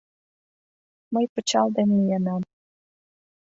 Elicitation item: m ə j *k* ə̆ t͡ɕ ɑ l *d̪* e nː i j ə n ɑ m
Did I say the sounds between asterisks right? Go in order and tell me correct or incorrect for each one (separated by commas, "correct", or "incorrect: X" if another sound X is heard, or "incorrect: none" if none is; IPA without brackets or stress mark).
incorrect: p, correct